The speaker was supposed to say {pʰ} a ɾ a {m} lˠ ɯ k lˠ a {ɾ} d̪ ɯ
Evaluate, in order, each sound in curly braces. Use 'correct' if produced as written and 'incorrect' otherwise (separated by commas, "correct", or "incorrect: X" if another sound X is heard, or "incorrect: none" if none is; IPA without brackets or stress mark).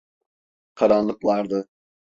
incorrect: kʰ, incorrect: n, correct